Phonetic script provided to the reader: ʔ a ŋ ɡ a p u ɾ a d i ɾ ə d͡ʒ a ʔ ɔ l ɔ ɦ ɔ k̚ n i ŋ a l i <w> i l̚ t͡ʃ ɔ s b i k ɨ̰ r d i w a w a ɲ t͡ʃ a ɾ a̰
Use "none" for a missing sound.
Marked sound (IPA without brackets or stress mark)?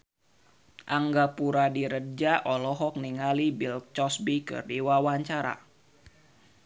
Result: b